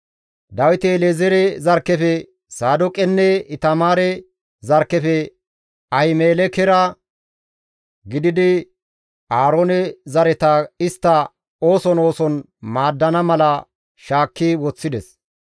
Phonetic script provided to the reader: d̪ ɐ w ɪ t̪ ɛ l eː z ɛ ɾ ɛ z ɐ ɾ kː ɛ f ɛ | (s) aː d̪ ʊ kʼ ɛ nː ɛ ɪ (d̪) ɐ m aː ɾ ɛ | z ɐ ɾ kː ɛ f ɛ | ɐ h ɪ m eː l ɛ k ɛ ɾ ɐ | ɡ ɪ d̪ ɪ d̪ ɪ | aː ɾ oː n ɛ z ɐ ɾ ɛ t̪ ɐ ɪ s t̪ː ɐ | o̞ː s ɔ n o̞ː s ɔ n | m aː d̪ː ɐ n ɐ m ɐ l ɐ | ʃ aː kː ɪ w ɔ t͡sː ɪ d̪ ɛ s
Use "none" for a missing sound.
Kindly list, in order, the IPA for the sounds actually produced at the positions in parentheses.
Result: s, t̪

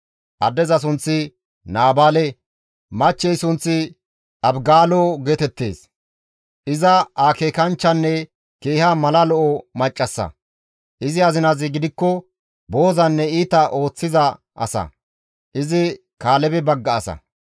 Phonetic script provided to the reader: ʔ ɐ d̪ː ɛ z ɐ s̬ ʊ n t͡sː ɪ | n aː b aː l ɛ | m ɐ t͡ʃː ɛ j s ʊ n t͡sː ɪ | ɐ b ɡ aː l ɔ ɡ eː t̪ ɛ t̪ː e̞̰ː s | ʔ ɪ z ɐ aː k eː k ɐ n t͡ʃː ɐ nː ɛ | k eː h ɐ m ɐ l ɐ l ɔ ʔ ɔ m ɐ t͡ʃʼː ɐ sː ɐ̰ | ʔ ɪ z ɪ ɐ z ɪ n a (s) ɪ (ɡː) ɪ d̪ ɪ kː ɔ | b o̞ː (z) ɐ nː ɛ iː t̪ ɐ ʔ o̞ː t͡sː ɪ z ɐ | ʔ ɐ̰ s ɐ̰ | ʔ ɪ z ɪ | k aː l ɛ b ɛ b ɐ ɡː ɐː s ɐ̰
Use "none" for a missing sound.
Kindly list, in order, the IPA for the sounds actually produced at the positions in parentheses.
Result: z, ɡ, z

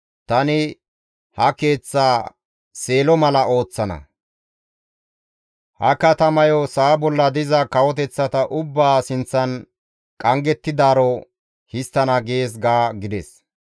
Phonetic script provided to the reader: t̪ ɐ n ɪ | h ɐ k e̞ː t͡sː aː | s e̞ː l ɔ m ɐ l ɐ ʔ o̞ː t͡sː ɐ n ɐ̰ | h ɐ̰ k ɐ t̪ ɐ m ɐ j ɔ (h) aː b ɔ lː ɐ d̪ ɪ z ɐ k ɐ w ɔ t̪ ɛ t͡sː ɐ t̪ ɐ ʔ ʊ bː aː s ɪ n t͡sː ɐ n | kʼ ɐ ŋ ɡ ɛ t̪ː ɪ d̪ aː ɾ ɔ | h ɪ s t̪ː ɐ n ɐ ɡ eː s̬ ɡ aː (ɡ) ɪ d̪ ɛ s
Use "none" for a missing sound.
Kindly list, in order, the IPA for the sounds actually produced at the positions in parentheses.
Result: s, ɡ

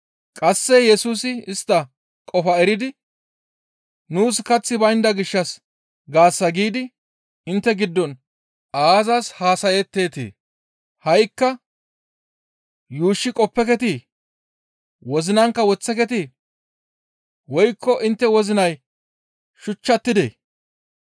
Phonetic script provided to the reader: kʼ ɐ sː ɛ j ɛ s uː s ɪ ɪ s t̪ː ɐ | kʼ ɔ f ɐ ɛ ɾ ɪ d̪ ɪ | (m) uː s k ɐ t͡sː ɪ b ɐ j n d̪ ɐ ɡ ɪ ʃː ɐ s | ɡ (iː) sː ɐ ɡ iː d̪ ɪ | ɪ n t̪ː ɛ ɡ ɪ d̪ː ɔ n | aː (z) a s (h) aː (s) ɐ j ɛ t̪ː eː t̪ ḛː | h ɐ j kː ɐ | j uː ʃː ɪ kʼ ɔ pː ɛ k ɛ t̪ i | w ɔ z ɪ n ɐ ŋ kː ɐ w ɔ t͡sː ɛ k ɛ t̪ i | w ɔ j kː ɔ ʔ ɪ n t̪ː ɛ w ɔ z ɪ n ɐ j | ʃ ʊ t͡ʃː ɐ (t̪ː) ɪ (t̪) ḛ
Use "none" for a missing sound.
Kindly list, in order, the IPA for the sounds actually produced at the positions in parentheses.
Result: n, aː, z, h, s, t̪ː, d̪

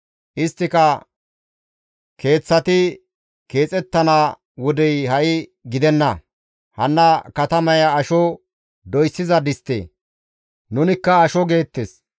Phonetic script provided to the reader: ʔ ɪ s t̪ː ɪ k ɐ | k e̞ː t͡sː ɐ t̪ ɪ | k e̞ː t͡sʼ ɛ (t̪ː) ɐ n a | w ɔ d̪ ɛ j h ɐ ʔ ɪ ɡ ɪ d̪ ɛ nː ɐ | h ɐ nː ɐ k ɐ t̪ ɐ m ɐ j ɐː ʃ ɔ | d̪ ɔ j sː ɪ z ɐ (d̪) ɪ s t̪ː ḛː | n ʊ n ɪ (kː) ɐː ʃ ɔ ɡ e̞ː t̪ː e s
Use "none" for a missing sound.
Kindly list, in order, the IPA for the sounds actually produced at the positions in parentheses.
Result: t̪ː, d̪, kː

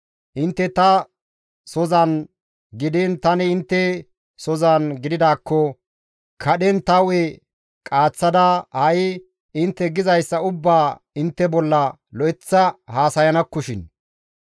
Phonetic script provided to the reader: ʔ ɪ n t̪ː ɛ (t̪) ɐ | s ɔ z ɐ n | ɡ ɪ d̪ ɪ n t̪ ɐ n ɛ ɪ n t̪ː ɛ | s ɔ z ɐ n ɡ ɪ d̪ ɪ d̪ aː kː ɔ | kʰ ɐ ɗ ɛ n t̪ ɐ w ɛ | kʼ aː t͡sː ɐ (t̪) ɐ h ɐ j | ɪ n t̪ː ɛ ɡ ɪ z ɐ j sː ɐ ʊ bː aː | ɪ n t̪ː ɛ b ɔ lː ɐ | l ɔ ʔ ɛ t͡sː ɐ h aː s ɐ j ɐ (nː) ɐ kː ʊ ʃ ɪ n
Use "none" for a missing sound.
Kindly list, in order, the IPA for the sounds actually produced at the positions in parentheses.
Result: t̪, d̪, n

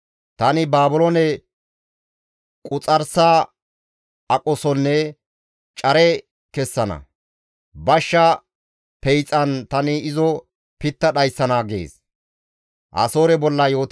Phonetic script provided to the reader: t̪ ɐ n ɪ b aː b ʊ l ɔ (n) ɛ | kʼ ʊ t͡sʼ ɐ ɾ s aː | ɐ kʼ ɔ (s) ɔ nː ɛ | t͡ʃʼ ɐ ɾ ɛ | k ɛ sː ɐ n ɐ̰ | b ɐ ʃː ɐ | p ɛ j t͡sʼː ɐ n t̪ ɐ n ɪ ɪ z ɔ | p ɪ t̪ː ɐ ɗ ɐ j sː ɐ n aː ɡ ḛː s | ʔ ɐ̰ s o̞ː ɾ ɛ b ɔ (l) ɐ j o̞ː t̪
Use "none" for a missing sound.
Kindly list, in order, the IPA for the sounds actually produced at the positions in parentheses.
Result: n, s, lː

